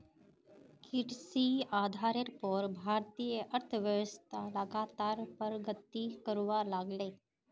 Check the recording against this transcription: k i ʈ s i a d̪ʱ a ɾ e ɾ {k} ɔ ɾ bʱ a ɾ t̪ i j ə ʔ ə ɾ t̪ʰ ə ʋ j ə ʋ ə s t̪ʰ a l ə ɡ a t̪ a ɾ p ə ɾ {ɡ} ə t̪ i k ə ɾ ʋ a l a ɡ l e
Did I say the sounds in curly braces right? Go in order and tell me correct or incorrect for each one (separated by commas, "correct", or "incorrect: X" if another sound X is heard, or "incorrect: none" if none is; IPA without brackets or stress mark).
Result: incorrect: p, correct